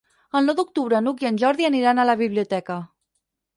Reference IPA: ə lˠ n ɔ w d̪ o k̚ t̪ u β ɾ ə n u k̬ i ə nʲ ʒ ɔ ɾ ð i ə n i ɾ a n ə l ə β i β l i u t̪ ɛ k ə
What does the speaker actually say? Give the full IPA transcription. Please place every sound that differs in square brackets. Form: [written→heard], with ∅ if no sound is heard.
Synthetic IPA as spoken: ə lˠ n ɔ w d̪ [o→u] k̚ t̪ u β ɾ ə n u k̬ i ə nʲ ʒ ɔ ɾ ð i ə n i ɾ a n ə l ə β i β l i u t̪ ɛ k ə

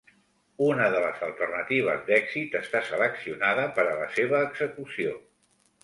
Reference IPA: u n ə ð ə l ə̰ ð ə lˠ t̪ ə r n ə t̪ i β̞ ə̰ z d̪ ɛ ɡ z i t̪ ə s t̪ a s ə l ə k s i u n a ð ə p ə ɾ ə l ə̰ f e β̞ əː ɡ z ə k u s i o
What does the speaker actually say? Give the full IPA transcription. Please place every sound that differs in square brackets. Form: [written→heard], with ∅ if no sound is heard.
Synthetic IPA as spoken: u n ə ð ə l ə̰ [ð→z] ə lˠ t̪ ə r n ə t̪ i β̞ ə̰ z d̪ ɛ ɡ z i t̪ ə s t̪ a s ə l ə k s i u n a ð ə p ə ɾ ə l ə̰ [f→s] e β̞ əː ɡ z ə k u s i o

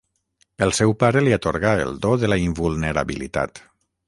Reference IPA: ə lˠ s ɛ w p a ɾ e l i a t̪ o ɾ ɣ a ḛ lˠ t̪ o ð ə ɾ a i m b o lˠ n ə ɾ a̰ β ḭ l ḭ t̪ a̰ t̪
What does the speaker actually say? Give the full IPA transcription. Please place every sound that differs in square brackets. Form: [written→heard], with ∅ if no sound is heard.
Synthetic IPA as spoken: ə lˠ s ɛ w p a ɾ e l i a t̪ o ɾ ɣ a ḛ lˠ [t̪→d̪] o ð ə [ɾ→l] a i m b [o→u] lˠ n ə ɾ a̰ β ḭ l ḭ t̪ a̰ t̪

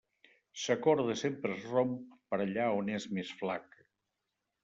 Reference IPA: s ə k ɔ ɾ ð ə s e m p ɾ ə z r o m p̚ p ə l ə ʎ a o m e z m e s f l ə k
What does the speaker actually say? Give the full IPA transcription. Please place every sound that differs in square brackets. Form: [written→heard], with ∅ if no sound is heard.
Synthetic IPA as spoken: s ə k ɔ ɾ ð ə s e m p ɾ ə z r o m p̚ p ə [l→ɾ] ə ʎ a o [m→n] e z m e s f l [ə→a] k

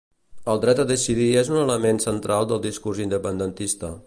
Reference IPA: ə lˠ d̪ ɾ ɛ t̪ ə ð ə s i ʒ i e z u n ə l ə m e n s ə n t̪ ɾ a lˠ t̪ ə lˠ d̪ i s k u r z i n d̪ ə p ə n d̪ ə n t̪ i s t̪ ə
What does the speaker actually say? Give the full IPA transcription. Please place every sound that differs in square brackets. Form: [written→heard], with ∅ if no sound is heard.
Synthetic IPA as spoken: ə lˠ d̪ ɾ ɛ t̪ ə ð ə s i [ʒ→ð] i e z u n ə l ə m e n s ə n t̪ ɾ a lˠ [t̪→d̪] ə lˠ d̪ i s k u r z i n d̪ ə p ə n d̪ ə n t̪ i s t̪ ə

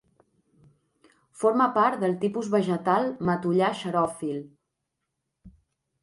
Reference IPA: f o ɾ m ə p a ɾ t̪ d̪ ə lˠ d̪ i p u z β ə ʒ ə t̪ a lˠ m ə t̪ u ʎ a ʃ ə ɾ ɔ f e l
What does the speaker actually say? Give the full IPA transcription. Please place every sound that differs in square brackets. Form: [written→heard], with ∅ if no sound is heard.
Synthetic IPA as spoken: f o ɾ m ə p a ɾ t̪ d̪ ə lˠ [d̪→t̪] i p u z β ə ʒ ə t̪ a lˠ m ə t̪ u ʎ a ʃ ə ɾ ɔ f [e→i] l

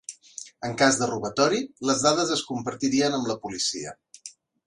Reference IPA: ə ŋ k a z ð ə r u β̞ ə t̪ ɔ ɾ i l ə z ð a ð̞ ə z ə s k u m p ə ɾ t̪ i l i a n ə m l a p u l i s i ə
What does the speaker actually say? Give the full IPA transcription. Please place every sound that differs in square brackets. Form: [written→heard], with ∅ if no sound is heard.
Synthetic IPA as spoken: ə ŋ k a z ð ə r u β̞ ə t̪ ɔ ɾ i l ə z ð a ð̞ ə z ə s k u m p ə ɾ t̪ i [l→ɾ] i [a→ə] n ə m l [a→ə] p u l i s i ə

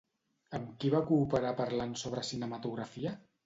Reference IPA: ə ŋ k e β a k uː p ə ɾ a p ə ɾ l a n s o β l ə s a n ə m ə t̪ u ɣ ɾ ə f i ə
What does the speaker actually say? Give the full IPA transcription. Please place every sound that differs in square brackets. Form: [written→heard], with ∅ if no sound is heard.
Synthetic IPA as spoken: ə [ŋ→m] k [e→i] β a k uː p ə ɾ a p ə ɾ l a n s o β [l→ɾ] ə s [a→i] n ə m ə t̪ u ɣ ɾ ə f i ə

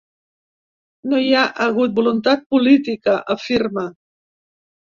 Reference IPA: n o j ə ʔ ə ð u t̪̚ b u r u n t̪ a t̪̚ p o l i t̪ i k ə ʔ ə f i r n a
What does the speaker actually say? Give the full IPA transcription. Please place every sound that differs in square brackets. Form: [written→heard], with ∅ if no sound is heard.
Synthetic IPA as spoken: n o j [ə→a] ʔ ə [ð→ɣ] u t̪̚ b u [r→l] u n t̪ a t̪̚ p [o→u] l i t̪ i k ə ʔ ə f i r [n→m] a

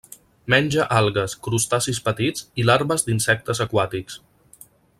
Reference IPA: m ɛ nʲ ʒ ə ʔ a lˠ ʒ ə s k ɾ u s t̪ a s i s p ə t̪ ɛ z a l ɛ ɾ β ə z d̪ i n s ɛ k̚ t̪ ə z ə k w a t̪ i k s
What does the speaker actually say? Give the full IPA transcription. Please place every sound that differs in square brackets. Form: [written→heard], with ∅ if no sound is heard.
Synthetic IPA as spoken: m ɛ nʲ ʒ ə ʔ a lˠ [ʒ→ɣ] ə s k ɾ u s t̪ a s i s p ə t̪ [ɛ→i] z [a→i] l [ɛ→a] ɾ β ə z d̪ i n s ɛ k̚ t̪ ə z ə k w a t̪ i k s

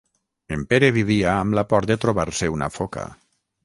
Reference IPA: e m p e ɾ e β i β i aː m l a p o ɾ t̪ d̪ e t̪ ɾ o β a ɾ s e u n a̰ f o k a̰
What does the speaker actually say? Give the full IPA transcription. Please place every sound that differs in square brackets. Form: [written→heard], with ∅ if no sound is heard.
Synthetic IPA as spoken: e m p e ɾ e β i β i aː m l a p [o→ɔ] ɾ t̪ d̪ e t̪ ɾ o β a ɾ s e u n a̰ f o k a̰

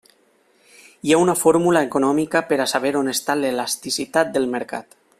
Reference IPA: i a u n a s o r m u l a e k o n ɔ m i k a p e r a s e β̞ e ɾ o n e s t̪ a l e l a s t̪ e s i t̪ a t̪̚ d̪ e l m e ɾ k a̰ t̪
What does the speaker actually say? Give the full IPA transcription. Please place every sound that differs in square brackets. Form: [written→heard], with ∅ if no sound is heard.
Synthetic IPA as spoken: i a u n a [s→f] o [r→ɾ] m u l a e k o n ɔ m i k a p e [r→ɾ] a s [e→a] β̞ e ɾ o n e s t̪ a l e l a s t̪ [e→i] s i t̪ a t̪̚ d̪ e l m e ɾ k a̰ t̪

